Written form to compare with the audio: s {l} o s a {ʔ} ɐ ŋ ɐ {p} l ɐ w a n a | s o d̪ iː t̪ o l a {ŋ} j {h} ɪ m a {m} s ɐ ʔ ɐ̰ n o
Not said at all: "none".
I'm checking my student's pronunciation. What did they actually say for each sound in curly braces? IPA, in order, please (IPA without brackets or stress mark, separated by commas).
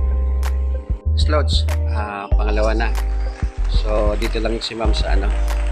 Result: l, p, none, ŋ, s, m